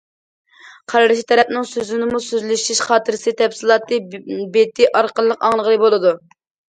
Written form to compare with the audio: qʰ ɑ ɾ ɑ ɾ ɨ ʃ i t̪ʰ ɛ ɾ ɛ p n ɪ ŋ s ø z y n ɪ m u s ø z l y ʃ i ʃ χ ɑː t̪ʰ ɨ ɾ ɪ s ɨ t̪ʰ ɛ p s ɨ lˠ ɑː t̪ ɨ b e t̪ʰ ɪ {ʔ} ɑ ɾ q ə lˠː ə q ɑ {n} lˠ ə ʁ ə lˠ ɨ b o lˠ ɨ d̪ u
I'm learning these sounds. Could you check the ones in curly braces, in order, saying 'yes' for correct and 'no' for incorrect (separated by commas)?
yes, no